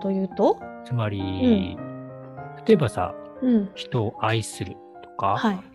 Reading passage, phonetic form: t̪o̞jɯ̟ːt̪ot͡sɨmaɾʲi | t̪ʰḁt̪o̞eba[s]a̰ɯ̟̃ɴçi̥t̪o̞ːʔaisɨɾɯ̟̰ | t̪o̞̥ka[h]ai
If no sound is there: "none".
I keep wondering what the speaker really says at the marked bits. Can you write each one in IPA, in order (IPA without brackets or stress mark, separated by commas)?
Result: s, h